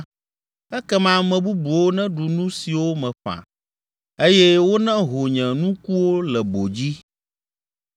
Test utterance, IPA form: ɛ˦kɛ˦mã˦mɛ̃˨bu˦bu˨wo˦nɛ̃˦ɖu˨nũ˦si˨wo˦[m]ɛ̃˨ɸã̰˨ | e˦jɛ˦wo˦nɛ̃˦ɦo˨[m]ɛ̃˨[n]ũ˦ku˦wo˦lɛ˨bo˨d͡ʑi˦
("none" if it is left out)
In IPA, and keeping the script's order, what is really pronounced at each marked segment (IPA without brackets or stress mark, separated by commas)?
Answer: m, ɲ, n